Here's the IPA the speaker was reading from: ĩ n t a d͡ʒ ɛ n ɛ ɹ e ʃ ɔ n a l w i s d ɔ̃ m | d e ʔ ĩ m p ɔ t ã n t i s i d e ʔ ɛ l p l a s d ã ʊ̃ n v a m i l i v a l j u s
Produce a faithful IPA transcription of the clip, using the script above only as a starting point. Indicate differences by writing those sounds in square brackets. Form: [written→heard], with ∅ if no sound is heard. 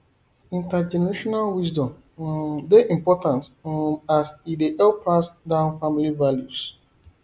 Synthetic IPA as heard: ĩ n t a d͡ʒ ɛ n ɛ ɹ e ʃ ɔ n a l w i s d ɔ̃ m | d e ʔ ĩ m p ɔ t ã n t [i→a] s i d e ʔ ɛ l p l a s d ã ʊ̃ n [v→f] a m i l i v a l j u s